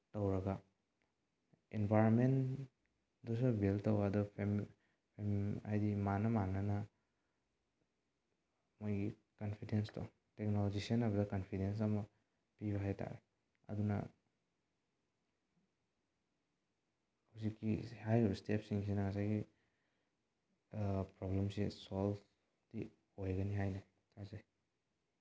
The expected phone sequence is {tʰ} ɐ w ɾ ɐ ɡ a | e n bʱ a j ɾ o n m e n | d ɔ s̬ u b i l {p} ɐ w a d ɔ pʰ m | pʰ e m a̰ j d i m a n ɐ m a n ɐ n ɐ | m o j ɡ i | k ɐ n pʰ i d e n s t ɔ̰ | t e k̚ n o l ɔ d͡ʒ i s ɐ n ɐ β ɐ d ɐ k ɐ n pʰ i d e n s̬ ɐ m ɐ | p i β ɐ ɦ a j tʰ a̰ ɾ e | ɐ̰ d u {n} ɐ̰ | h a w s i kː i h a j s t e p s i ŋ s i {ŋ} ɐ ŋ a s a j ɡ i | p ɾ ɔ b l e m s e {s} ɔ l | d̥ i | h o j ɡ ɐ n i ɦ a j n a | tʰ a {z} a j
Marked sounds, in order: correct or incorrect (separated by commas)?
incorrect, incorrect, correct, incorrect, correct, correct